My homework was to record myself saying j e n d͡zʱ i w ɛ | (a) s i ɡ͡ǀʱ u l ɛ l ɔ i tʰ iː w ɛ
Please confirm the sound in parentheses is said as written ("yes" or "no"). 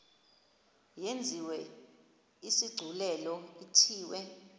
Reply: no